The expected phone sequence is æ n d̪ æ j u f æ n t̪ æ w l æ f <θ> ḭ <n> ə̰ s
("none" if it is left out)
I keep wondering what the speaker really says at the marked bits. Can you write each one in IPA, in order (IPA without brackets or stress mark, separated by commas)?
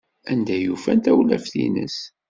θ, n